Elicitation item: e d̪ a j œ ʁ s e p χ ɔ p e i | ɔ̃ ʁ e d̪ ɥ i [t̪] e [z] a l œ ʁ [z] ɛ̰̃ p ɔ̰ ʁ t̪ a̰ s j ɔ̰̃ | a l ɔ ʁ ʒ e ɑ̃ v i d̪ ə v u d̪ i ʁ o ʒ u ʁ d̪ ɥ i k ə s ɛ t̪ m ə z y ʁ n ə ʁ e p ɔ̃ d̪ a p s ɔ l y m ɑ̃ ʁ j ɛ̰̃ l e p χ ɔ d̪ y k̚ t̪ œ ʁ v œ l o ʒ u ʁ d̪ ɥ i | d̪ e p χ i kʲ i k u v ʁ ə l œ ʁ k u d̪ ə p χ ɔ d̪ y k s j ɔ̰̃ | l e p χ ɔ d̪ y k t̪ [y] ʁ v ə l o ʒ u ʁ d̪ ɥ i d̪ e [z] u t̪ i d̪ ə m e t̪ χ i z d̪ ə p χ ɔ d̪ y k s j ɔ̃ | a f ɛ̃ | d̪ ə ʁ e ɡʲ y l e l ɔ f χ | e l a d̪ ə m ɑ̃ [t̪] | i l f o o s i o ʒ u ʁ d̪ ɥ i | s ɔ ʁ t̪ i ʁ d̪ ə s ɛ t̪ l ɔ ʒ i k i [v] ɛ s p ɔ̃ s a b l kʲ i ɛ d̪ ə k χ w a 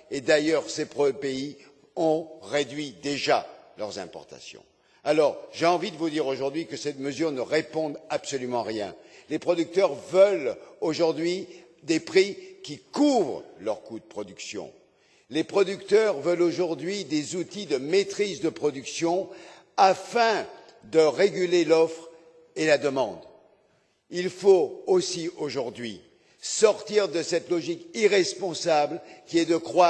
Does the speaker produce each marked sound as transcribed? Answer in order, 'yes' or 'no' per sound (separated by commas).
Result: no, no, yes, no, yes, no, no